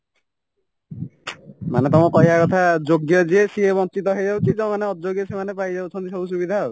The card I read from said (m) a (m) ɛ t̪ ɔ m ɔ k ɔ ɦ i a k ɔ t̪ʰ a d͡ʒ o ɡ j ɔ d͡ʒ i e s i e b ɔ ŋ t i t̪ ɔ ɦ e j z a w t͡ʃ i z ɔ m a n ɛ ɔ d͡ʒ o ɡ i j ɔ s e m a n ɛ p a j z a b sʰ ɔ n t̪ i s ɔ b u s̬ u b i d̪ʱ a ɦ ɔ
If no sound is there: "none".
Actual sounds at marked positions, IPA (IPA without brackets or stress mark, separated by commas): m, n